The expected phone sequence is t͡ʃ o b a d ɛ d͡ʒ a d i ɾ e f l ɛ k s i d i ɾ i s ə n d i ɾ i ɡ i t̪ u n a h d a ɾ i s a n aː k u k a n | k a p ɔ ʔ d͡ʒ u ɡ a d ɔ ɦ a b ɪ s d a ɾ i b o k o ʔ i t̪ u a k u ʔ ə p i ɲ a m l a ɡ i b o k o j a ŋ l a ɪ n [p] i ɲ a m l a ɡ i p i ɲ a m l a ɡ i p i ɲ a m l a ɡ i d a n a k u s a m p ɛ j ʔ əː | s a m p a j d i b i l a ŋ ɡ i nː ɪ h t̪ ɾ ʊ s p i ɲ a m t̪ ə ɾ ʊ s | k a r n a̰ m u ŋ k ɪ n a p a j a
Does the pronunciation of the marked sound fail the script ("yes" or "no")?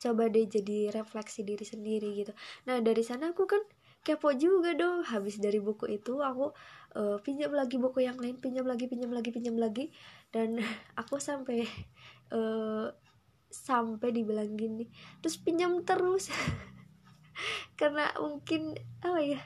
no